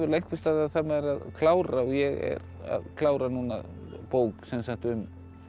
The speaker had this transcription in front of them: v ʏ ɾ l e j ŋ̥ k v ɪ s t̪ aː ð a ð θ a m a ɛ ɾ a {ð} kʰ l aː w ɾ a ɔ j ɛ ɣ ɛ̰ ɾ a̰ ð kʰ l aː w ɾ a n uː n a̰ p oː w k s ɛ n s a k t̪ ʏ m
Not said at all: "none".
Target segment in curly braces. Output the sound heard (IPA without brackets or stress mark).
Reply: ð